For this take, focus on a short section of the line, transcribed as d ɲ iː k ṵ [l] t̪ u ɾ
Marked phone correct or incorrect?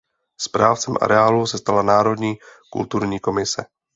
correct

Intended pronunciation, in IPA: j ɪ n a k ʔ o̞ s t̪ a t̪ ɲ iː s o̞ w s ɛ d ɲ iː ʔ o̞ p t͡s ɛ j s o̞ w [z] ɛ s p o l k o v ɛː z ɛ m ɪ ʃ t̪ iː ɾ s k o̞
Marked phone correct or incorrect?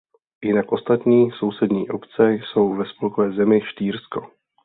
incorrect: v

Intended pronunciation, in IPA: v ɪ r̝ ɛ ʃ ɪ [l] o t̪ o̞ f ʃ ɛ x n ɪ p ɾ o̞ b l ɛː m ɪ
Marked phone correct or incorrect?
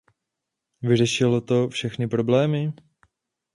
correct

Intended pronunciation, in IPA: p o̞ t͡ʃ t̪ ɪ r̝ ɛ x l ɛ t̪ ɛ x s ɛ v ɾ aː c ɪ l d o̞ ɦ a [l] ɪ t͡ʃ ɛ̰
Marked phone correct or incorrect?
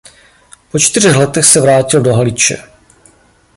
correct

